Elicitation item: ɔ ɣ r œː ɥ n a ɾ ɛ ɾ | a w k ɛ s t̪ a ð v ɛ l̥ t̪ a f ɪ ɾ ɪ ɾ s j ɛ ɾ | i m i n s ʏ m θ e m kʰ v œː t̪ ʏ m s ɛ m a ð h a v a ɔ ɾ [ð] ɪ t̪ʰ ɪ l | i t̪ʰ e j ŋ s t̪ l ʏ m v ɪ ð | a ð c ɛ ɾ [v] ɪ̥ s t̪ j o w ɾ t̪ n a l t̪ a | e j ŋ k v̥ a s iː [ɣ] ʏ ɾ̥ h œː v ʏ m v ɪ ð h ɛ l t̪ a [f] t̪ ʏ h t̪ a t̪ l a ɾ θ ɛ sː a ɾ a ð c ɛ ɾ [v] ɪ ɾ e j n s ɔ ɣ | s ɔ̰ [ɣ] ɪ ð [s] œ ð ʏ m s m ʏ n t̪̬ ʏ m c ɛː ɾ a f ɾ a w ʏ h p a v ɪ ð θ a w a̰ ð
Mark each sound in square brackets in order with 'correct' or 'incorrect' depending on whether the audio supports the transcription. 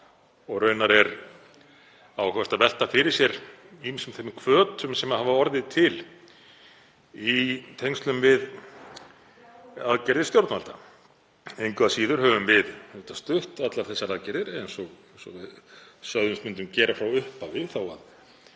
correct, incorrect: ð, incorrect: ð, incorrect: s, incorrect: ð, incorrect: v, correct

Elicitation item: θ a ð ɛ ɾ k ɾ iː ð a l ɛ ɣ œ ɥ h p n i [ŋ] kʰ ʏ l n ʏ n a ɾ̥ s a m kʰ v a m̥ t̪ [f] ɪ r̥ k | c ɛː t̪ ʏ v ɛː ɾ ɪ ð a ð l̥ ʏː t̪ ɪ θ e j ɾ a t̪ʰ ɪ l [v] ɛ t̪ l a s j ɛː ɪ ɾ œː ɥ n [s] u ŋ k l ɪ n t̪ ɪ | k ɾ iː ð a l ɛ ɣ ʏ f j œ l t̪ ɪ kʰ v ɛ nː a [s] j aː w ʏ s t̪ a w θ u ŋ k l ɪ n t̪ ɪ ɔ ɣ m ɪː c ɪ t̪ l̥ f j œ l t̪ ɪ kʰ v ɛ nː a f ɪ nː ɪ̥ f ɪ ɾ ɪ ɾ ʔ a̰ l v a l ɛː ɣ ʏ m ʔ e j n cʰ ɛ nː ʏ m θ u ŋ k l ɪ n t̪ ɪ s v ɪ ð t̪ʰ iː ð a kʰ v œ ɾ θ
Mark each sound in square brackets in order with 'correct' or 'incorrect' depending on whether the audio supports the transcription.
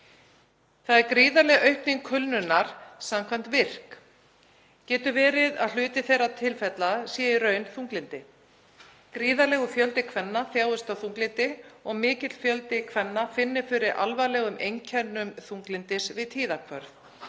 correct, incorrect: v, incorrect: f, incorrect: θ, incorrect: θ

